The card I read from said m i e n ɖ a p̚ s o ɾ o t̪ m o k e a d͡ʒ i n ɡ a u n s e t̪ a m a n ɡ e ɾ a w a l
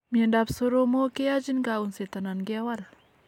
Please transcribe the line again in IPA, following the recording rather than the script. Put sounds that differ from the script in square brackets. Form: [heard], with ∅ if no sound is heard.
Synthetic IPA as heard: m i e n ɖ a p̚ s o ɾ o [∅] m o k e a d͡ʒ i n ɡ a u n s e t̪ a [n] a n ɡ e [∅] a w a l